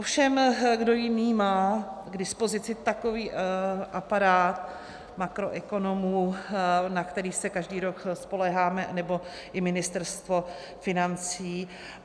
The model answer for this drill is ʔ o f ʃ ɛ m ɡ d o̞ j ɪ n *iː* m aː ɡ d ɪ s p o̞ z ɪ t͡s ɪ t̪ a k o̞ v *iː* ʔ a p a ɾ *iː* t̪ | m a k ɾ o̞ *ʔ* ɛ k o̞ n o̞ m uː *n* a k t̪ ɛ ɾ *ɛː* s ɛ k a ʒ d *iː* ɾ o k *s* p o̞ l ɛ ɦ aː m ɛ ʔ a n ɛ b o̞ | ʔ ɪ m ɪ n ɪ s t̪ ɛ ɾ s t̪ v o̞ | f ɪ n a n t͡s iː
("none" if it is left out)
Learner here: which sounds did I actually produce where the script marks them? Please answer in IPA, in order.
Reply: iː, iː, aː, ʔ, n, iː, iː, s

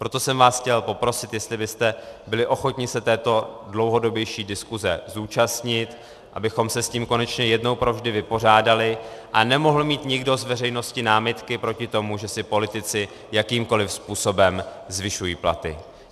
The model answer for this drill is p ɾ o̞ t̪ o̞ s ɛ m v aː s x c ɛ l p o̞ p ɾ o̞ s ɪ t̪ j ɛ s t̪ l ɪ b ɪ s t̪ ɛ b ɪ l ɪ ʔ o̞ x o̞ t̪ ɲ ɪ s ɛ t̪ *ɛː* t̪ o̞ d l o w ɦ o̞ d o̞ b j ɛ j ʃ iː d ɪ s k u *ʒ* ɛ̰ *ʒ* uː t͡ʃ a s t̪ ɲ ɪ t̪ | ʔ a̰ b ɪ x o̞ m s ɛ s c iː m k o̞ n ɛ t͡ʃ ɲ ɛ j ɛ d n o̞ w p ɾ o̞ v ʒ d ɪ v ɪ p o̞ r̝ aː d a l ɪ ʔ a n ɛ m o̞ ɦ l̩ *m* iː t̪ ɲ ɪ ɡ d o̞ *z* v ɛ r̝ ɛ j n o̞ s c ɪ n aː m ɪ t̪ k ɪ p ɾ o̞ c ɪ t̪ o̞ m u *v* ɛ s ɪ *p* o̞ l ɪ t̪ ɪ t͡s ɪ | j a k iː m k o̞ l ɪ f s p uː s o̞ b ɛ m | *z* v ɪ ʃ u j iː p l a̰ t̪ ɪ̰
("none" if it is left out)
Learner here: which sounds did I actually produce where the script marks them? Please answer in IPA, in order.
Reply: ɛː, z, z, m, z, ʒ, p, z

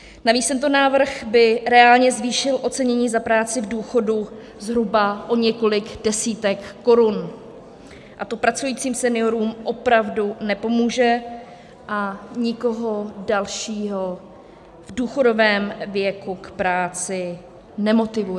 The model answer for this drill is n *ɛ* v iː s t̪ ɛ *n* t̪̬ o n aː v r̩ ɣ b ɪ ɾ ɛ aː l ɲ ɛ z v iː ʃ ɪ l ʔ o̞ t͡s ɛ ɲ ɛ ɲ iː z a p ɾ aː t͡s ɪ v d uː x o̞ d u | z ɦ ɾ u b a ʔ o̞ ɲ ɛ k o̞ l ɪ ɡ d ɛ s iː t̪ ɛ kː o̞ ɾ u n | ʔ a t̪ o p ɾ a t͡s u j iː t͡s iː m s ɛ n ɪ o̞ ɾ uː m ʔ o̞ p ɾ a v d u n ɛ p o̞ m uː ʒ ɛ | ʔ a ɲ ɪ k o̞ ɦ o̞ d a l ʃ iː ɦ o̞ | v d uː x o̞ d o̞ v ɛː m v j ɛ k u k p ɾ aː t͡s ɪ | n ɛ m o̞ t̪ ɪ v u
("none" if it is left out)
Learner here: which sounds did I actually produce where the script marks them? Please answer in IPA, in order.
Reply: a, n

